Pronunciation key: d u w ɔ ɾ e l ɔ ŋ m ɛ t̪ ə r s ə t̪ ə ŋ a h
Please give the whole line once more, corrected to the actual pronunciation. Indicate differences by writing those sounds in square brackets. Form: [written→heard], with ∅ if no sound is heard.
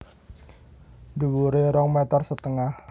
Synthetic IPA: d u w [ɔ→u] ɾ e [l→ɾ] ɔ ŋ m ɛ t̪ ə r s ə t̪ ə ŋ a h